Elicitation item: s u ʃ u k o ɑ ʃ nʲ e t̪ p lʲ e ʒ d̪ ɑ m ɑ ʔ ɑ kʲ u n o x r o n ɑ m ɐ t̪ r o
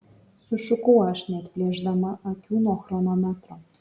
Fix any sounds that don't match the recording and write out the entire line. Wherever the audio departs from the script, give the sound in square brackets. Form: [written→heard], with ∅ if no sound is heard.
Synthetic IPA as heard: s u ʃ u k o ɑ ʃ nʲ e t̪ p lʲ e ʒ d̪ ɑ m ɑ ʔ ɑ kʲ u n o x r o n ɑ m [ɐ→ɑ] t̪ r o